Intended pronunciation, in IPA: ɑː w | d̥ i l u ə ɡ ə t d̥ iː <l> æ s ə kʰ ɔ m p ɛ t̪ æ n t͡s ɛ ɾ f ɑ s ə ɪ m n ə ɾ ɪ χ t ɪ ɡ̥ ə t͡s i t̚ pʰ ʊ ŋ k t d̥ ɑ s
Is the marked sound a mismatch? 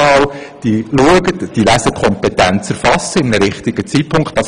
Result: no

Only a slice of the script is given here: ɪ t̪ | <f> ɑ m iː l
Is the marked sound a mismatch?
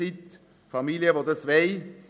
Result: no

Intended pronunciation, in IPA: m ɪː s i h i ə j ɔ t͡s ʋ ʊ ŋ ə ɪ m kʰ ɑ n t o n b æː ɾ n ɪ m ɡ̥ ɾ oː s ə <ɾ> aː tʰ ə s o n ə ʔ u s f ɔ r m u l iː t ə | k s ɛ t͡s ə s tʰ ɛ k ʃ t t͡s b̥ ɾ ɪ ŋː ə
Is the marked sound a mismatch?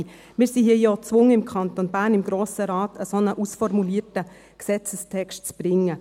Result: no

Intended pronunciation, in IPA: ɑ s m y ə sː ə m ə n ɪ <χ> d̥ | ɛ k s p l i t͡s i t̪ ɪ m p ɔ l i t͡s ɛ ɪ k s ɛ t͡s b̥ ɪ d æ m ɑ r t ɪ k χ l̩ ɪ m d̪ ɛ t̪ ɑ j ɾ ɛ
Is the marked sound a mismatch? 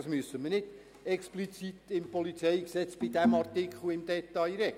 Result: yes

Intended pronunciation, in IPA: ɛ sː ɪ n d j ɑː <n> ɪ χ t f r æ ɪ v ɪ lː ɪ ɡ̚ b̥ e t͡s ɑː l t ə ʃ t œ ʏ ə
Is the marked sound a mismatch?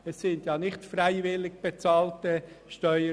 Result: no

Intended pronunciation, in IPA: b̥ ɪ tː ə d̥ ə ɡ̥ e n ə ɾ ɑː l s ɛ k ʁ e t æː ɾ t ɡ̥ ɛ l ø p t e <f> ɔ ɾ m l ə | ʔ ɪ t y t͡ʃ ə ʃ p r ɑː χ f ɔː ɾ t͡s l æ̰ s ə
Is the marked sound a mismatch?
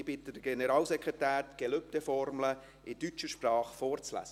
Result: no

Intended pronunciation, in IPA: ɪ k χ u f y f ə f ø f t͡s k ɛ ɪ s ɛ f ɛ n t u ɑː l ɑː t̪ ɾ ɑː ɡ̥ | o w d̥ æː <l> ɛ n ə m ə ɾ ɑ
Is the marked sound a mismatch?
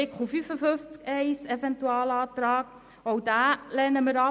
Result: no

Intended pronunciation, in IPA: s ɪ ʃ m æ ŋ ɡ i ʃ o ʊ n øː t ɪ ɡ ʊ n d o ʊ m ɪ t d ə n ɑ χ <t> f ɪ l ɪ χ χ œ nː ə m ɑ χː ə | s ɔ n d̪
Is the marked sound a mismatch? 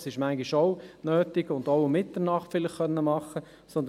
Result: no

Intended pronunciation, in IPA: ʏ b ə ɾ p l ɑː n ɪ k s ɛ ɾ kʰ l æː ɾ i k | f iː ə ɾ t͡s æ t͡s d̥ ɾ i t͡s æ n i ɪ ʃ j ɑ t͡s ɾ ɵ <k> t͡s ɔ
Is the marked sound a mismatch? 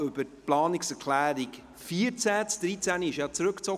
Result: no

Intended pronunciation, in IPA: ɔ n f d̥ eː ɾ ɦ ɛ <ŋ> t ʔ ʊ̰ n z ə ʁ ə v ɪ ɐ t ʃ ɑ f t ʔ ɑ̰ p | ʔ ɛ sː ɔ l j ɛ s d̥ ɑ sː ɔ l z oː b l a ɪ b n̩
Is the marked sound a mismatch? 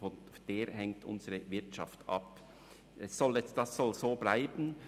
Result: no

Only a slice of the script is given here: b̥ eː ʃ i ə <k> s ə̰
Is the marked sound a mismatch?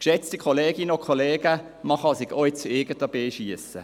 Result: yes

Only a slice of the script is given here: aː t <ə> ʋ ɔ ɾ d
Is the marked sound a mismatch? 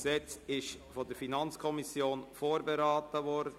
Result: no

